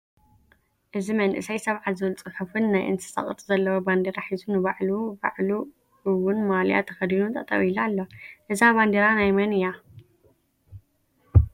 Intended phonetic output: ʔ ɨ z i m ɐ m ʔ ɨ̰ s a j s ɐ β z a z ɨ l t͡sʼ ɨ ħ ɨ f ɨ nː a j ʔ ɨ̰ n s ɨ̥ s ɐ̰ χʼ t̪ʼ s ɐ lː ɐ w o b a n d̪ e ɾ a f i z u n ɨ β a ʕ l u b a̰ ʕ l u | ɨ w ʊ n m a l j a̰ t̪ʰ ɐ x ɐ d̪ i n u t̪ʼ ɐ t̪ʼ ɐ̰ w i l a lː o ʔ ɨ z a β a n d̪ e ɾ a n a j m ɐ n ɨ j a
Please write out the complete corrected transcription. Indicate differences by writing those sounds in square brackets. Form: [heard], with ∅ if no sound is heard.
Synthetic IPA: ʔ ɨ z i m ɐ [n] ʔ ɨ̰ s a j s ɐ β [ʕ] a z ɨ l t͡sʼ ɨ ħ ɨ f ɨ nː a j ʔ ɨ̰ n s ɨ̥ s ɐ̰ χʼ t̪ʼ [z] ɐ lː ɐ w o b a n d̪ e ɾ a [ħ] i z u n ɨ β a ʕ l u b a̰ ʕ l u | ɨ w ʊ n m a l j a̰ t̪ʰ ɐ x ɐ d̪ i n u t̪ʼ ɐ t̪ʼ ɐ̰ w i l a lː o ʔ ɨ z a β a n d̪ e ɾ a n a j m ɐ n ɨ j a